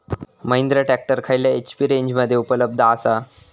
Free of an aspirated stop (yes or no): no